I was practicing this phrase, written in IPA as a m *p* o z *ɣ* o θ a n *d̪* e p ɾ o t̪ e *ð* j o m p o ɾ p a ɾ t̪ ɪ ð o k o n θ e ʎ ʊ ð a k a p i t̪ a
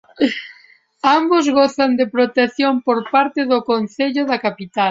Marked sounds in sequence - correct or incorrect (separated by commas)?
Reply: incorrect, correct, correct, incorrect